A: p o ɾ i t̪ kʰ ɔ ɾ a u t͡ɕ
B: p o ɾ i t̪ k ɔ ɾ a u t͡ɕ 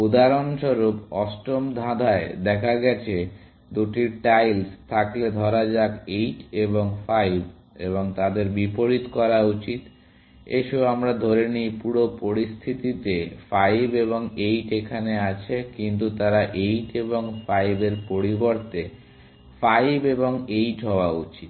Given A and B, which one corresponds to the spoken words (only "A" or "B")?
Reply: B